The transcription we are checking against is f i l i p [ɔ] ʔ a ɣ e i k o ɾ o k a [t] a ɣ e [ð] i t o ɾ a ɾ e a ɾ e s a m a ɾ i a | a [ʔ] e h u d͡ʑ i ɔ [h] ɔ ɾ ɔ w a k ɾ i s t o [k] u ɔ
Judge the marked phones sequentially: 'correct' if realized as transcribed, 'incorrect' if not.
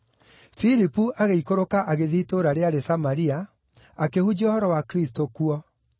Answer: incorrect: u, incorrect: ʔ, correct, incorrect: k, correct, correct

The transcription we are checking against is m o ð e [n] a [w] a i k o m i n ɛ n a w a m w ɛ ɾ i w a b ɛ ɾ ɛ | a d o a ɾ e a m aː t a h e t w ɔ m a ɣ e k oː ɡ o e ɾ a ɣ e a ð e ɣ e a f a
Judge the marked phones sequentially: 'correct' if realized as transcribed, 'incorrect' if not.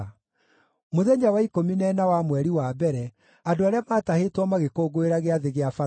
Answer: incorrect: ɲ, correct

